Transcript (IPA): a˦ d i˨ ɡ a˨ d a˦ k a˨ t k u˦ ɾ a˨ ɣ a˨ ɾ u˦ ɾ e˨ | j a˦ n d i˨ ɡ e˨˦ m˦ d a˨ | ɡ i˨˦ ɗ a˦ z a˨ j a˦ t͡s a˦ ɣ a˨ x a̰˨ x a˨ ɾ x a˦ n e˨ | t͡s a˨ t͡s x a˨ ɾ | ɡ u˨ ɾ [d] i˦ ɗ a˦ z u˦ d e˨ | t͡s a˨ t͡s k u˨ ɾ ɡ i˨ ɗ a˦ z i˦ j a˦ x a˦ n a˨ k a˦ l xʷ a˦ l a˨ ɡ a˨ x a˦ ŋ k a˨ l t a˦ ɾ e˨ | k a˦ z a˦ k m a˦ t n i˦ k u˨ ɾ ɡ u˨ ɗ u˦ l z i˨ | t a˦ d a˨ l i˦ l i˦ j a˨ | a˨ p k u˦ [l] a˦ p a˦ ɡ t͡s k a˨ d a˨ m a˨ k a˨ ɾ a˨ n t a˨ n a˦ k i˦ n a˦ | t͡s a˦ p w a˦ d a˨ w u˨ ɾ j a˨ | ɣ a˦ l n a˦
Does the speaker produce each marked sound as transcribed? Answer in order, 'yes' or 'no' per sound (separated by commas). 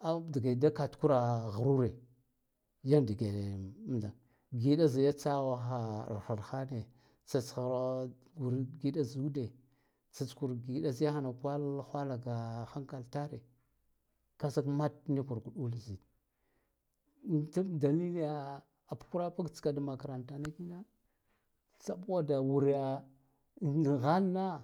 no, no